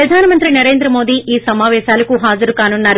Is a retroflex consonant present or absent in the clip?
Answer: absent